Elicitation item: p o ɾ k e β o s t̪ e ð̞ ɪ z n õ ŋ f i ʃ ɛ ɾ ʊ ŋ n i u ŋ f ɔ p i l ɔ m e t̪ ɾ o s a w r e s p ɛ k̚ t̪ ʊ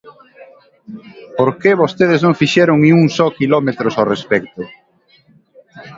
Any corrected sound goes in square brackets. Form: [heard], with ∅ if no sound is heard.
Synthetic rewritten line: p o ɾ k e β o s t̪ e ð̞ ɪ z n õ ŋ f i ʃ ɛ ɾ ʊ ŋ n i u ŋ [s] ɔ [k] i l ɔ m e t̪ ɾ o s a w r e s p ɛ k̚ t̪ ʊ